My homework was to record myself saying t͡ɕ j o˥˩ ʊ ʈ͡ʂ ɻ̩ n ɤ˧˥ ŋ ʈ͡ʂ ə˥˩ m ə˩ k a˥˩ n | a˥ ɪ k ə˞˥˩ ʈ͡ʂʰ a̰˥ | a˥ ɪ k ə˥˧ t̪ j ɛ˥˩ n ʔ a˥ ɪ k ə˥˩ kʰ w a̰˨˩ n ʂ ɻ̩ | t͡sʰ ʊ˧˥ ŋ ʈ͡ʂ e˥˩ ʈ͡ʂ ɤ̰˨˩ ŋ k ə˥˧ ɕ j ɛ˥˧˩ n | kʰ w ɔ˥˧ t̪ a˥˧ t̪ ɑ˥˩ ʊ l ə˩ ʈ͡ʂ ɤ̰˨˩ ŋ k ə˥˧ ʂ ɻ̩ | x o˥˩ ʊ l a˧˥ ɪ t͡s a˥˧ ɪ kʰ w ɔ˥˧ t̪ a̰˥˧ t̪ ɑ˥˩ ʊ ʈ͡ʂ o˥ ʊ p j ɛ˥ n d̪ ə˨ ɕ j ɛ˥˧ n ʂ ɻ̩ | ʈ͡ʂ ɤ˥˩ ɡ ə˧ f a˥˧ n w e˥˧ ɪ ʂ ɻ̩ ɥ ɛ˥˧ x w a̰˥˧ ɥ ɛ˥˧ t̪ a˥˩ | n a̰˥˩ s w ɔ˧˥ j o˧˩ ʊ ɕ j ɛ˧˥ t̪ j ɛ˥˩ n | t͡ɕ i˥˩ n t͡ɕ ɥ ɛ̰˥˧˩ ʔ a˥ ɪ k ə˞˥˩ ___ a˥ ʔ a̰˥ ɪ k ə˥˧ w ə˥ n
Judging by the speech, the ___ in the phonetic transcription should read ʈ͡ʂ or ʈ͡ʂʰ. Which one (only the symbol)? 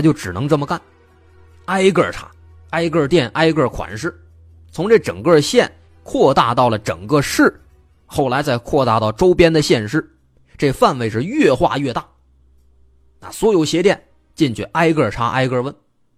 ʈ͡ʂʰ